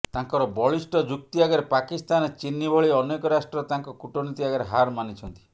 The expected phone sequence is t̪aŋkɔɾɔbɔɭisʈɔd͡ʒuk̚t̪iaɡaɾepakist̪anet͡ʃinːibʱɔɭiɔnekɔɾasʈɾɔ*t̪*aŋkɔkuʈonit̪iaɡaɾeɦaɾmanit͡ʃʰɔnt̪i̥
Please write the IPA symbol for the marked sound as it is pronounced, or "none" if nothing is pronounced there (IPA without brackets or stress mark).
t̪